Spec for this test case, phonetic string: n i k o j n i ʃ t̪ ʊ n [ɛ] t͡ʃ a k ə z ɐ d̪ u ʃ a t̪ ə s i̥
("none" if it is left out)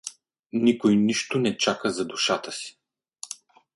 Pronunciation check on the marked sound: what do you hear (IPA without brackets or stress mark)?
ɛ